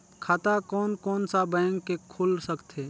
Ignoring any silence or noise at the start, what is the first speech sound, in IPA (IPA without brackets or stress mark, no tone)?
kʰ